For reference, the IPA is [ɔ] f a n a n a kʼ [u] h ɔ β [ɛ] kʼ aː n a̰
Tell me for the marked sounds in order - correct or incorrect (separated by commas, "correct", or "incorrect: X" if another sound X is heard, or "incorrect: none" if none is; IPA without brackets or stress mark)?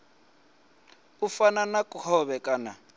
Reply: incorrect: u, correct, correct